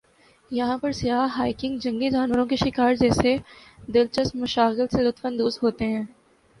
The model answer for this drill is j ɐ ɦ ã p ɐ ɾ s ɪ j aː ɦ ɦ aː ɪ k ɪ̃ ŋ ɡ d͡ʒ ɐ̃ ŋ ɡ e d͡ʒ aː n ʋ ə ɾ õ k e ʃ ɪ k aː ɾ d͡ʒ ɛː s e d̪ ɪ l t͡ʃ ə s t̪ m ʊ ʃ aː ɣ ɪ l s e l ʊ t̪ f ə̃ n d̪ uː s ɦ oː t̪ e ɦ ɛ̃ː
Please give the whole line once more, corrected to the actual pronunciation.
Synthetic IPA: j ɐ ɦ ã p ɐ ɾ s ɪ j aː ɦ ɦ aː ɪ k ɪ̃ ŋ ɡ d͡ʒ ɐ̃ ŋ ɡ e d͡ʒ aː n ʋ ə ɾ õ k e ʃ ɪ k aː ɾ d͡ʒ ɛː s e d̪ ɪ l t͡ʃ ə s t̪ m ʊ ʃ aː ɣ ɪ l s e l ʊ t̪ f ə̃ n d̪ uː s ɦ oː t̪ e ɦ ɛ̃ː